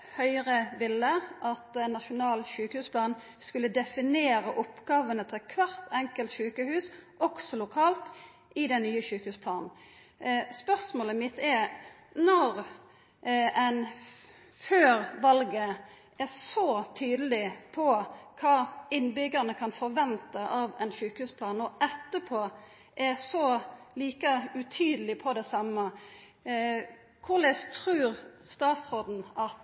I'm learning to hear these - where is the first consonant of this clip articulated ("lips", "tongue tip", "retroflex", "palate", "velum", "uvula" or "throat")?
throat